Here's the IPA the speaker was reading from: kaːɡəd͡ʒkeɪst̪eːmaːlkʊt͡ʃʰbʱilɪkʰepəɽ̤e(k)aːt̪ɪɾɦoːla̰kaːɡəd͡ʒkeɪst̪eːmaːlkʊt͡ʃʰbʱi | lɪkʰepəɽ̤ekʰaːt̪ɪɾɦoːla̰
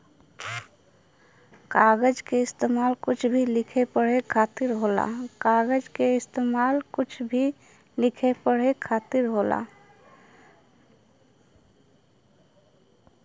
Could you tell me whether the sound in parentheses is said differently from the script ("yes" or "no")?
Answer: yes